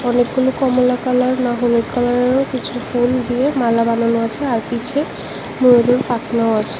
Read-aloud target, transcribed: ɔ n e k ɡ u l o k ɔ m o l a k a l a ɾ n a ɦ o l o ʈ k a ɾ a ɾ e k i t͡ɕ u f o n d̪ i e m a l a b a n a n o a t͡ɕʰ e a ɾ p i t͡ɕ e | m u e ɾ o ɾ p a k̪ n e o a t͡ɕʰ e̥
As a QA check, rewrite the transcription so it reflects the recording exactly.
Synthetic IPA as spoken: ɔ n e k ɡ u l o k ɔ m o l a k a l a ɾ n a ɦ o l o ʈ k a l a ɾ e k i t͡ɕʰ u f o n d̪ i e m a l a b a n a n o a t͡ɕʰ e a ɾ p i t͡ɕʰ e | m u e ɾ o ɾ p a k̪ n a o a t͡ɕʰ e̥